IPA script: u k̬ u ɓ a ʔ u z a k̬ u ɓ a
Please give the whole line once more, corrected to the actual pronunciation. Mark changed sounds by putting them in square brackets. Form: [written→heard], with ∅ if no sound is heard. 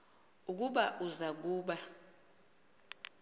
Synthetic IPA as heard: u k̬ u ɓ a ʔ u z a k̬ [u→uː] ɓ a